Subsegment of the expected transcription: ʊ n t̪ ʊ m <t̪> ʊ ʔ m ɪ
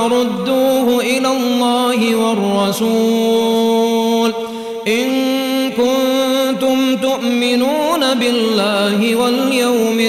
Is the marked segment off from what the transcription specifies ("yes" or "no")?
no